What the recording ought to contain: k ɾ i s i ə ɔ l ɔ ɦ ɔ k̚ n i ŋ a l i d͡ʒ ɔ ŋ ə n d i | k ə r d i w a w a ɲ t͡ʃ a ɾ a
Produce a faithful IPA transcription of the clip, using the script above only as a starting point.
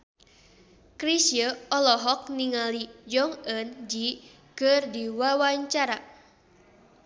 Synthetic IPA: k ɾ i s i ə ɔ l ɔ ɦ ɔ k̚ n i ŋ a l i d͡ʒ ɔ ŋ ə n d͡ʒ i | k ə r d i w a w a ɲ t͡ʃ a ɾ a